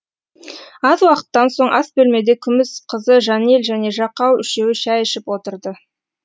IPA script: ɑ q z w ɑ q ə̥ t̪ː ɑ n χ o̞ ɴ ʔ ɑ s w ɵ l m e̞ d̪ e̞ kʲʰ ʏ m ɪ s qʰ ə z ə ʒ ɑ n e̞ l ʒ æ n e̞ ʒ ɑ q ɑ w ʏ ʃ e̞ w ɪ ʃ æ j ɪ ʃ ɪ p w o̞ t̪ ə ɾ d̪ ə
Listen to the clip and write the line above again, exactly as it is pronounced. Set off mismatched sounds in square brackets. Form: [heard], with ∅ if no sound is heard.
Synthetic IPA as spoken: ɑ [∅] z w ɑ q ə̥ t̪ː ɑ n [s] o̞ ɴ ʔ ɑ s [b] ɵ l m e̞ d̪ e̞ kʲʰ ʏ m ɪ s qʰ ə z ə ʒ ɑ n e̞ l ʒ æ n e̞ ʒ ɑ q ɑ w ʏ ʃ e̞ w ɪ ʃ æ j ɪ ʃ ɪ p w o̞ t̪ ə ɾ d̪ ə